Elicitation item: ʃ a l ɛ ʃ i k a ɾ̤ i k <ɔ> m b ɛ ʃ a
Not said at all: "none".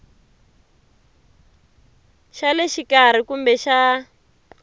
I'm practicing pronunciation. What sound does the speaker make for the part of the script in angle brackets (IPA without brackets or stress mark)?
u